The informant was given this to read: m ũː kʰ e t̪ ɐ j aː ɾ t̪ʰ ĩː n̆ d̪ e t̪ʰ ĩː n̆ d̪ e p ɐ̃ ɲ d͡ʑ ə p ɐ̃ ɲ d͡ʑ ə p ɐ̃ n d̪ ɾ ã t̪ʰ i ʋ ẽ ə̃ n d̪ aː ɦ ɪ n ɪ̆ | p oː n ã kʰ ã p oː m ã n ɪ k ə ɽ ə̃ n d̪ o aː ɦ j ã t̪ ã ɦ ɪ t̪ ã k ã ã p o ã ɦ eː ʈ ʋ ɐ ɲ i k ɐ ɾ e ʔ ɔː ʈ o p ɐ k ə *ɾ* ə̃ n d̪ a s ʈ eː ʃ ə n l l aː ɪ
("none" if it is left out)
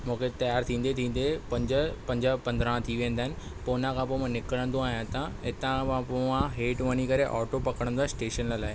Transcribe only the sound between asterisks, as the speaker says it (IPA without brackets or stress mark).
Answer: ɽ